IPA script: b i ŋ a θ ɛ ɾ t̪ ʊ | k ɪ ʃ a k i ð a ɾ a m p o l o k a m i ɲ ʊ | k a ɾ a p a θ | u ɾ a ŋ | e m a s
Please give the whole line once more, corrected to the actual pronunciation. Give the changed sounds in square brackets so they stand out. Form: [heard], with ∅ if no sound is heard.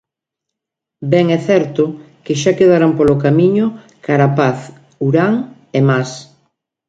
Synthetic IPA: b [ɛ] ŋ [ɛ] θ ɛ ɾ t̪ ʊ | k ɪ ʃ a k [e] ð a ɾ a m p o l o k a m i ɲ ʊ | k a ɾ a p a θ | u ɾ a ŋ | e m a s